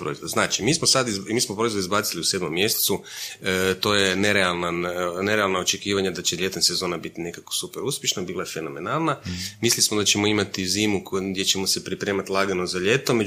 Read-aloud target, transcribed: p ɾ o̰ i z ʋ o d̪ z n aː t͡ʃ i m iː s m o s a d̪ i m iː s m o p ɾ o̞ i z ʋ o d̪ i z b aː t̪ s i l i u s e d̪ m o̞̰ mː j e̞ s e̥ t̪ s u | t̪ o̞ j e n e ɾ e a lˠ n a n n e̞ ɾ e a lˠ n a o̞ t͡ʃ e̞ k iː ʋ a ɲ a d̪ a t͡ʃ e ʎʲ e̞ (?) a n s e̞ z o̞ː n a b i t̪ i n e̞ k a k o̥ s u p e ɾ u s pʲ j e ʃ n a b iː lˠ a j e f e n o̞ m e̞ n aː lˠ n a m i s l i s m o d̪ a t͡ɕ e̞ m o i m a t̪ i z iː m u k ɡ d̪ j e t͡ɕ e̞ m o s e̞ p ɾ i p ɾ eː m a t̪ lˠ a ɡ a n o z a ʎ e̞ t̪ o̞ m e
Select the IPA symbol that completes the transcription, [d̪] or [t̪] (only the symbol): t̪